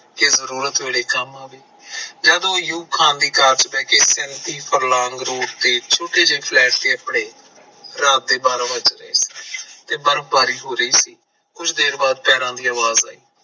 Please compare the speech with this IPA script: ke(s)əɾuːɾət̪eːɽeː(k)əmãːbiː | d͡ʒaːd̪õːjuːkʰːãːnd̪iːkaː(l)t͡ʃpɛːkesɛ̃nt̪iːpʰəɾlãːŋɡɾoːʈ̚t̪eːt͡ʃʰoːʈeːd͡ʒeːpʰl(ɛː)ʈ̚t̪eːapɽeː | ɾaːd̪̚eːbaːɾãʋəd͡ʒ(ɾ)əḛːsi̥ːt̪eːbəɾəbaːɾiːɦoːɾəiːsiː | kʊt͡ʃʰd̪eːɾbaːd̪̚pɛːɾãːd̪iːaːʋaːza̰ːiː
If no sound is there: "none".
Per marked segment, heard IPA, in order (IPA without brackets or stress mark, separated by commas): z, k, ɾ, ɛː, ɾ